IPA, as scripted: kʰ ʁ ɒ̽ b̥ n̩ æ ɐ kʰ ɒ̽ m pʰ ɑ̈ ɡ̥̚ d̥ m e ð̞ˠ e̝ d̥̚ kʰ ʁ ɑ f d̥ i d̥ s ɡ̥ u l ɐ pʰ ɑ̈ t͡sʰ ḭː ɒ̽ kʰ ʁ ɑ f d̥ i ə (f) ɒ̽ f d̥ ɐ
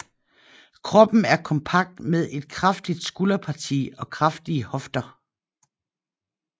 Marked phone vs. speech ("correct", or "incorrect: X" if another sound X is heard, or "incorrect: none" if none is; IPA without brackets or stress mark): incorrect: h